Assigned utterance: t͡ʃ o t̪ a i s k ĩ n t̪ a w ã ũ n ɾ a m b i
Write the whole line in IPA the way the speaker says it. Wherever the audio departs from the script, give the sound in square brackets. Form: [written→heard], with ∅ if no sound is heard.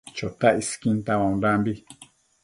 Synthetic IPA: t͡ʃ o t̪ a i s k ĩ n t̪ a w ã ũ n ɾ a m b i